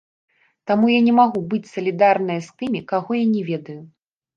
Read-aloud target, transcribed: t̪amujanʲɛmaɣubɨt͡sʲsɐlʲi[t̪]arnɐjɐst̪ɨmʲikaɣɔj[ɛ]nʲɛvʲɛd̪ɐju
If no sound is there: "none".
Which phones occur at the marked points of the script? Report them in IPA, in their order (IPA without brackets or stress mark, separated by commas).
d̪, a